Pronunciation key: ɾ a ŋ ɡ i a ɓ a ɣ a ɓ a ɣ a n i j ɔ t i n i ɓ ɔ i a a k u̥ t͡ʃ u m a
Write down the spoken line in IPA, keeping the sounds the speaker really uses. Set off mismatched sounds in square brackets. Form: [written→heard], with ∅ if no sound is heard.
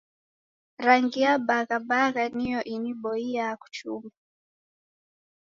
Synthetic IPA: ɾ a ŋ ɡ i a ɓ a ɣ a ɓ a ɣ a n i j ɔ [t→ʔ] i n i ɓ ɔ i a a k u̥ t͡ʃ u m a